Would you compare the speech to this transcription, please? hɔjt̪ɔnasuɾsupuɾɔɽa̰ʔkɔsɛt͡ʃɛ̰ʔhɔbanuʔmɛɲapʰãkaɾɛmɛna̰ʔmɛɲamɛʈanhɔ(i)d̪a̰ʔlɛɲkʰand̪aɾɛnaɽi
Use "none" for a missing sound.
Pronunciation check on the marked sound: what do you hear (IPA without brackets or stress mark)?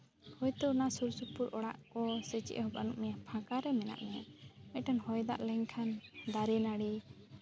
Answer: j